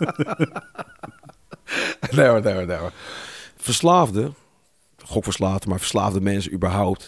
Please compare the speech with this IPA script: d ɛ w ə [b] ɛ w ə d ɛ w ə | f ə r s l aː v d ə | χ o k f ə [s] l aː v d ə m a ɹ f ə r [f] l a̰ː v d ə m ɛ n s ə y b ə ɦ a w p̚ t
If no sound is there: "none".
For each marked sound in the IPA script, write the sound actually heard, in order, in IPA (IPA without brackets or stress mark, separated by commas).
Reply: d, s, s